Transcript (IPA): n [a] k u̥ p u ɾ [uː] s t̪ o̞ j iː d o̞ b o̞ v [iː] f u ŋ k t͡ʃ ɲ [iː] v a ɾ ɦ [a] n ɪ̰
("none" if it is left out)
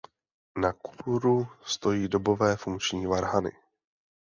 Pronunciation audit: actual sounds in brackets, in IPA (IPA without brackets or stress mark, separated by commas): a, u, ɛː, iː, a